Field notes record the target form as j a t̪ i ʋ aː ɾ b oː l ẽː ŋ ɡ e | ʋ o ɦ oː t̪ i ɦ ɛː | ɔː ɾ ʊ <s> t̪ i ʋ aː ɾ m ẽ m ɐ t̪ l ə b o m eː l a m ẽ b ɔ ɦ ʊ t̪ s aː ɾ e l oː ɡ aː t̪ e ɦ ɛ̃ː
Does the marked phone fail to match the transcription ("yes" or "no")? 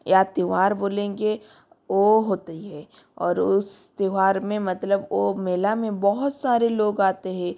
no